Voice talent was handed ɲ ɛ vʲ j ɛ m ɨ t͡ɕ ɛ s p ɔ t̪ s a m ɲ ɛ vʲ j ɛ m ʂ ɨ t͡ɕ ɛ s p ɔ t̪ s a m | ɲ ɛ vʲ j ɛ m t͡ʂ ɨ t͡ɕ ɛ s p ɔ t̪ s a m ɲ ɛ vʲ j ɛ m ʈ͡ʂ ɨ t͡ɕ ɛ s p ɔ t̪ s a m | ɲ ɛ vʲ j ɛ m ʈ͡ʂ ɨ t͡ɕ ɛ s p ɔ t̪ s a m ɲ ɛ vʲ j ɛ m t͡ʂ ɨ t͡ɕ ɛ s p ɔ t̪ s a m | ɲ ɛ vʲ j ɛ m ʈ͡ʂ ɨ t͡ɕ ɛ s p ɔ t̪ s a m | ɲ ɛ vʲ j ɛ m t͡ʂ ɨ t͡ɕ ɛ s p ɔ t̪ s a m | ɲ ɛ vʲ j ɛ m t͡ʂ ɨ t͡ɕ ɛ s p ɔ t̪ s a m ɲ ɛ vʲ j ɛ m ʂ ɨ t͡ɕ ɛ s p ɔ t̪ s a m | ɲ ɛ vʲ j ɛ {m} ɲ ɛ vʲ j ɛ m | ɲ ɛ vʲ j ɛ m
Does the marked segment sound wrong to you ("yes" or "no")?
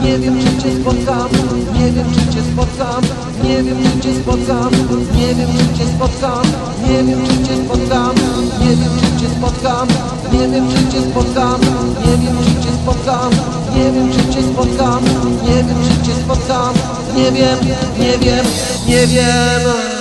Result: no